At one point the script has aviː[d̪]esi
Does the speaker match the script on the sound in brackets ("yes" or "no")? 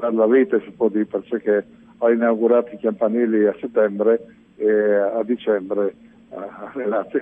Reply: no